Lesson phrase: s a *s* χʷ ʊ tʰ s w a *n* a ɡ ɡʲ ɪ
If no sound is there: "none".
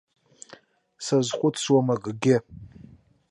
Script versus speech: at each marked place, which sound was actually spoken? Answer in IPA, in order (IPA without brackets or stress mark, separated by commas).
z, m